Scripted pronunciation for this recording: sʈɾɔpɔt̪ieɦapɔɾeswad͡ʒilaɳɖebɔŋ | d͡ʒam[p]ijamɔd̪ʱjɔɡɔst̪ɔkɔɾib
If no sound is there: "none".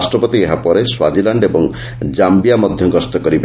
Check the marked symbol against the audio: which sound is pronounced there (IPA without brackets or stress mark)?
b